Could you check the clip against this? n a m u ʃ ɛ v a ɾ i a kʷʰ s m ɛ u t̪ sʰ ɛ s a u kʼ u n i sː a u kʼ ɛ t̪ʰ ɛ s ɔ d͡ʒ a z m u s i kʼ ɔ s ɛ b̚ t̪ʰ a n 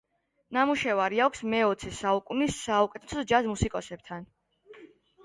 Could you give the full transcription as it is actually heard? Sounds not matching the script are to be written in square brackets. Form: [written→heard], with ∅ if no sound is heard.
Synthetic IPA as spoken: n a m u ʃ ɛ v a ɾ i a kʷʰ s m ɛ [u→ɔ] t̪ sʰ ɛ s a u kʼ u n i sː a u kʼ ɛ t̪ʰ ɛ s ɔ d͡ʒ a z m u s i kʼ ɔ s ɛ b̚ t̪ʰ a n